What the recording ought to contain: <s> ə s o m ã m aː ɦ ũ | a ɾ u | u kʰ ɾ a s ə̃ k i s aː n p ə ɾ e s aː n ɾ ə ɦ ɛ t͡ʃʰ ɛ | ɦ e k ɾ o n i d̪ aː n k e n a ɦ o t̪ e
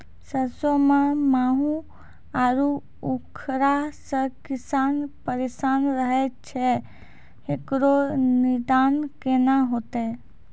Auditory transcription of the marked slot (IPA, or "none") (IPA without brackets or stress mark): s